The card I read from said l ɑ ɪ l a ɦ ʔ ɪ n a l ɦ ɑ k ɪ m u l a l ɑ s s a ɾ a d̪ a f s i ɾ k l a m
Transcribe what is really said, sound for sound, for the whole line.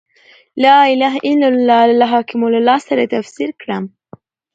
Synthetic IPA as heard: l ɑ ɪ l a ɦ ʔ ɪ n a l ɦ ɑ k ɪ m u l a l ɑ s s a ɾ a t̪ a f s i ɾ k ɽ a m